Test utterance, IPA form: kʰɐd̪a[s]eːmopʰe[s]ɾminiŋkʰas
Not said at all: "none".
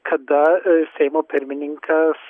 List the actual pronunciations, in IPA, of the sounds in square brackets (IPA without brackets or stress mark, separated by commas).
s, none